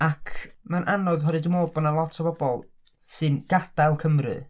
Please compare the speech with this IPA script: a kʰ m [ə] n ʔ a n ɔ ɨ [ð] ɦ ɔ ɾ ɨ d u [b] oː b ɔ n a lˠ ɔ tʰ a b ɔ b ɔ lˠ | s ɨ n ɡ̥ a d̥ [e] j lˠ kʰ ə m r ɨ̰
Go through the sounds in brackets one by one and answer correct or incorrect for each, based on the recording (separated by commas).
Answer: incorrect, correct, incorrect, incorrect